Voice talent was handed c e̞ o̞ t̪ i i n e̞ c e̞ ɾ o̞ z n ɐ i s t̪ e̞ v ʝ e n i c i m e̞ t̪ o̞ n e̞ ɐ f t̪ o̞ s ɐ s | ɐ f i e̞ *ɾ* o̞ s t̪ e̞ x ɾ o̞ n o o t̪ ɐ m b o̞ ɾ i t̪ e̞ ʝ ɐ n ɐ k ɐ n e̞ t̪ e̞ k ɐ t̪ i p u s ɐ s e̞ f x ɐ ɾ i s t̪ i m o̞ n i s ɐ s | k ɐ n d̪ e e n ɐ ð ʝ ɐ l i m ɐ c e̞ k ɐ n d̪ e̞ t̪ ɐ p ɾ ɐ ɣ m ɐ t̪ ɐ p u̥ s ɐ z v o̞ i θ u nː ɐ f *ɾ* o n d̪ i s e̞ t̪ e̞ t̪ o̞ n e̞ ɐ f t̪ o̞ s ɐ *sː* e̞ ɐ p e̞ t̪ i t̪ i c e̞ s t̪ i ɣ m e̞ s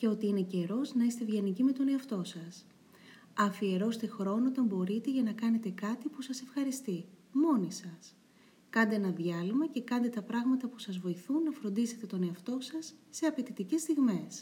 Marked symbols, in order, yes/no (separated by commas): yes, yes, yes